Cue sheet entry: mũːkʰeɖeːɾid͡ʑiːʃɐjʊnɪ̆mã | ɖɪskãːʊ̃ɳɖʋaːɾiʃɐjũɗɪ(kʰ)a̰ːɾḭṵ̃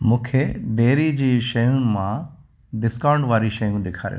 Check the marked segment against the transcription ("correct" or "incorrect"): correct